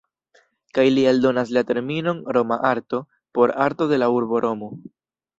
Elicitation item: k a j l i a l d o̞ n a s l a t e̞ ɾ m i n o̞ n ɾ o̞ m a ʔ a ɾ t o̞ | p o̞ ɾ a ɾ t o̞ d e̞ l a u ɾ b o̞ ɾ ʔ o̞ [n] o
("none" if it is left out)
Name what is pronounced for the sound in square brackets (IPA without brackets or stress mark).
m